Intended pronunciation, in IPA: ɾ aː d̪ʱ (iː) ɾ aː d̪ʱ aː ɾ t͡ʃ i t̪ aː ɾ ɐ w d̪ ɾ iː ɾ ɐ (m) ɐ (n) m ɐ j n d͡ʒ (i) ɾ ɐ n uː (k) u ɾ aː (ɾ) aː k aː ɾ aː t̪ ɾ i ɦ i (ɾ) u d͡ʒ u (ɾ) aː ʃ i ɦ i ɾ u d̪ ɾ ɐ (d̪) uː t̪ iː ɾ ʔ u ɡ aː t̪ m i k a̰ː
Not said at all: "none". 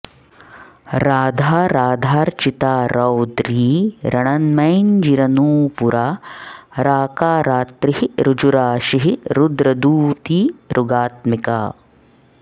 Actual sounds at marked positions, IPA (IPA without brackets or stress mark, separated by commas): aː, ɳ, n, i, p, ɾ, ɾ, ɾ, d̪